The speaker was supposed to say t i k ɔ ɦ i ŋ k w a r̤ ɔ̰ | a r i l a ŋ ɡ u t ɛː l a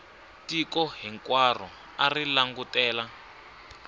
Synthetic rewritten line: t i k ɔ ɦ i ŋ k w a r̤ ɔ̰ | a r i l a ŋ ɡ u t ɛː l a

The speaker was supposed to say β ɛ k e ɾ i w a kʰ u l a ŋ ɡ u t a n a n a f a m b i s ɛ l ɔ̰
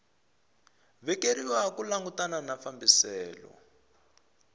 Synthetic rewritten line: β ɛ k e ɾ i w a k u l a ŋ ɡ u t a n a n a f a m b i s ɛː l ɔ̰

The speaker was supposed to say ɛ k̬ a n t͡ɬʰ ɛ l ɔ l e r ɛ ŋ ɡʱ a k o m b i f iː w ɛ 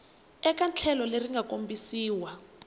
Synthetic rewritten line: ɛ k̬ a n t͡ɬʰ ɛ l ɔ l e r i ŋ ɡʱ a k o m b i s iː w a

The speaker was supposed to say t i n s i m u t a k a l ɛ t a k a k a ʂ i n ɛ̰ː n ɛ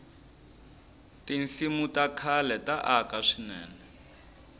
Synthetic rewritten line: t i n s i m u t a kʰ a l ɛ t a ʔ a k a ʂ i n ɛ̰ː n ɛ

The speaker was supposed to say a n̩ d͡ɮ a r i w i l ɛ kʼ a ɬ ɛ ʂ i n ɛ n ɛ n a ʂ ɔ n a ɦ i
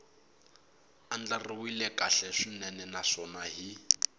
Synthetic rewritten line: a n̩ d͡ɮ a r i w i l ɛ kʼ a ɬ ɛ ʂ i n ɛ n ɛ n a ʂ ɔ n a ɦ i

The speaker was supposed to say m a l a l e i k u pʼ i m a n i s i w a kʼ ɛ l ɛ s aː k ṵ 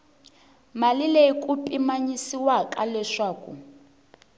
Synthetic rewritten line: m a l i l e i k u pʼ i m a ɲ i s i w a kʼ a l ɛ ʂ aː k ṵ

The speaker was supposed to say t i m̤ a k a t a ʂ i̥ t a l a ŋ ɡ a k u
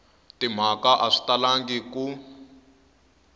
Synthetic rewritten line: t i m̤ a k a ʔ a ʂ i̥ t a l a ŋ ɡ i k u

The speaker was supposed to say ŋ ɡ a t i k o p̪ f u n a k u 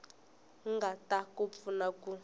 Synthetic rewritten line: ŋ ɡ a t a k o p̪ f u n a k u

